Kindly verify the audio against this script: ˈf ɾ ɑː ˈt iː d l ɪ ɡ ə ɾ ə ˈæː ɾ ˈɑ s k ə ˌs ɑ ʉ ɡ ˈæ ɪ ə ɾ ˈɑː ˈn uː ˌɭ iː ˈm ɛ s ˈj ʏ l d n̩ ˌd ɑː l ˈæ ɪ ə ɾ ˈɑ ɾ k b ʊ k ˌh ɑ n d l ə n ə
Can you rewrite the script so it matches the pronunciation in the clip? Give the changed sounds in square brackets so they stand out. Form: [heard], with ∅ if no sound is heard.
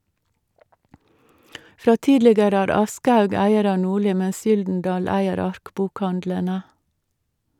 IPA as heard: ˈf ɾ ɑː ˈt iː d l ɪ ɡ ə ɾ ə ˈæː ɾ ˈɑ s k ə [ˌh] ɑ ʉ ɡ ˈæ ɪ ə ɾ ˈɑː ˈn uː ˌɭ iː ˈm ɛ s ˈj ʏ l d n̩ ˌd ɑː l ˈæ ɪ ə ɾ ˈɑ ɾ k b ʊ k ˌh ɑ n d l ə n ə